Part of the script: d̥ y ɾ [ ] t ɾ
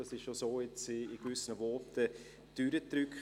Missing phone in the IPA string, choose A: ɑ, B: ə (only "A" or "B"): B